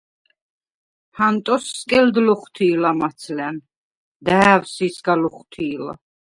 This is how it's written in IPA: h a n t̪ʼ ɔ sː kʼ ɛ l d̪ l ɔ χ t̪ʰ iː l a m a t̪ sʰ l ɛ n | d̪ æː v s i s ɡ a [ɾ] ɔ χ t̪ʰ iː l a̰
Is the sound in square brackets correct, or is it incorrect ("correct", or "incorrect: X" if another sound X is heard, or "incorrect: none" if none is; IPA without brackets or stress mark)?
incorrect: l